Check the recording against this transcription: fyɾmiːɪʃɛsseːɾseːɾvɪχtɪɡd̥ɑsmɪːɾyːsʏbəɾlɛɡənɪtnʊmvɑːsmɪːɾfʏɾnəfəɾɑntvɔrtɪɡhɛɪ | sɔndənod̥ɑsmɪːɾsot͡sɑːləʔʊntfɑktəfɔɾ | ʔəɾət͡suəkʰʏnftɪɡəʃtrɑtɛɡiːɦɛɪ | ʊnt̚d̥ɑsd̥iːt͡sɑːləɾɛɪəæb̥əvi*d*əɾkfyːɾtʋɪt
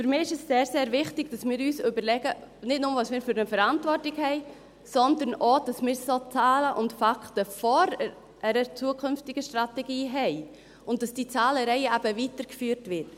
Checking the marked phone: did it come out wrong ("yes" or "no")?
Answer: yes